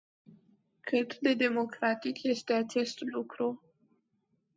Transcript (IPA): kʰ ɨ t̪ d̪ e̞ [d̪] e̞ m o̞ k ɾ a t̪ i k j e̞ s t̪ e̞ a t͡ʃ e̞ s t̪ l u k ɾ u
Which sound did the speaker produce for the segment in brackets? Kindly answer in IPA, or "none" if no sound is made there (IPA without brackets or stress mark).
d̪